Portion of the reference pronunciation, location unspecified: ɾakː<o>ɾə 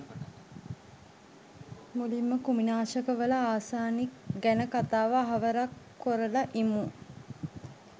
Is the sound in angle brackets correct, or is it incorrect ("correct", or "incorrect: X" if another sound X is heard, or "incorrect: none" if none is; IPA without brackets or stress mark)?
correct